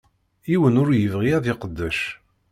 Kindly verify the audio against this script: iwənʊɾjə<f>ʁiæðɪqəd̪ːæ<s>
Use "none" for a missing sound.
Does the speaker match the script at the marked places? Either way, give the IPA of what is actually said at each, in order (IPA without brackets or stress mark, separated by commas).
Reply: v, ʃ